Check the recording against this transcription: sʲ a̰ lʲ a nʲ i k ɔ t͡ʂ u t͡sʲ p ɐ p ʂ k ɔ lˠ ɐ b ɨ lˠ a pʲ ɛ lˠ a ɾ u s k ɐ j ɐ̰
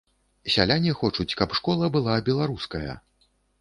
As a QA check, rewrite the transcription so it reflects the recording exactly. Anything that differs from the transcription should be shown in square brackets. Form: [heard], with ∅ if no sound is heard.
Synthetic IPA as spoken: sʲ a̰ lʲ a nʲ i [x] ɔ t͡ʂ u t͡sʲ [k] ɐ p ʂ k ɔ lˠ ɐ b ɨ lˠ a [bʲ] ɛ lˠ a ɾ u s k ɐ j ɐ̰